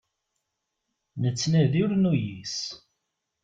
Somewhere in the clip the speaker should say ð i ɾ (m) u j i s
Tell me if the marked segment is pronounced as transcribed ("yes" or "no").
no